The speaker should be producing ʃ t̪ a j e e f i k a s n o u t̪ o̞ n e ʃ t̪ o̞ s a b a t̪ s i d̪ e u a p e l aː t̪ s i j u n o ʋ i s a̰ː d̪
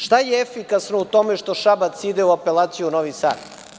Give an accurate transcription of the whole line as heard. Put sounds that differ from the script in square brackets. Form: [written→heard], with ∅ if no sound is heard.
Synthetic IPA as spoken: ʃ t̪ a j e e f i k a s n o u t̪ o̞ [n→m] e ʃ t̪ o̞ [s→ʃ] a b a t̪ s i d̪ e u a p e l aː t̪ s i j u n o ʋ i s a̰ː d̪